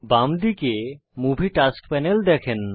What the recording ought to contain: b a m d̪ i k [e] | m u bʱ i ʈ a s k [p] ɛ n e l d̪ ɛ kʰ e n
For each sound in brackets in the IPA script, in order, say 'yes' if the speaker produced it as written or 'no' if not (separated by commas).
yes, yes